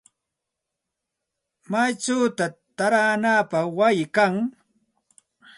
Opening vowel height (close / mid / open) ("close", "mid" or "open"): open